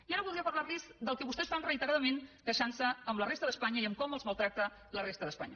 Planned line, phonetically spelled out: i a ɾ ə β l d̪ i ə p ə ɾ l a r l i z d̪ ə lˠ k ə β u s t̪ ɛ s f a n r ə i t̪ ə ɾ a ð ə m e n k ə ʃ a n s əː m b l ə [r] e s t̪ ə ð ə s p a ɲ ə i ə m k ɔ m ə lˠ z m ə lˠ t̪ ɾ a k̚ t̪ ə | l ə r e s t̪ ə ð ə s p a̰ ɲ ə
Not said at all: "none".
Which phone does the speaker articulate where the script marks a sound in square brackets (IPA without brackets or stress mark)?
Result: r